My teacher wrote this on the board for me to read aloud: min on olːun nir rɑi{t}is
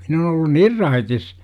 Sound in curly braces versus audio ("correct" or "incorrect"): correct